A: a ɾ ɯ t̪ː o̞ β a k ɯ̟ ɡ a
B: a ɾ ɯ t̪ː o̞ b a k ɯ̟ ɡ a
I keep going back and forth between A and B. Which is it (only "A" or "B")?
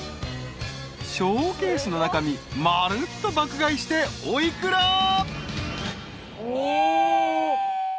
B